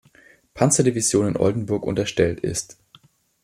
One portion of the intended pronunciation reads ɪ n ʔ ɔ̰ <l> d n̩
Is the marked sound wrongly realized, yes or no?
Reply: no